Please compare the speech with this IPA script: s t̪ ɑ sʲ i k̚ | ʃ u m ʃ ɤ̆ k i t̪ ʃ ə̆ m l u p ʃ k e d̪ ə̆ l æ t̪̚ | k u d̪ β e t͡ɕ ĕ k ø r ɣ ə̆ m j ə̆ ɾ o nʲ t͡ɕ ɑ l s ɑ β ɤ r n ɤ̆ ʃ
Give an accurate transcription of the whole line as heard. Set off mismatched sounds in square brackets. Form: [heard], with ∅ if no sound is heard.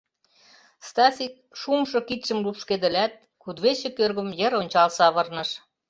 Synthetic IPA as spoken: s t̪ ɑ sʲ i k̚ | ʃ u m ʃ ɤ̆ k i t̪ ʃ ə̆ m l u p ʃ k e d̪ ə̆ l æ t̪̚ | k u d̪ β e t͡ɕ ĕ k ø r ɣ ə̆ m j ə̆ ɾ o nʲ t͡ɕ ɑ l s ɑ β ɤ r n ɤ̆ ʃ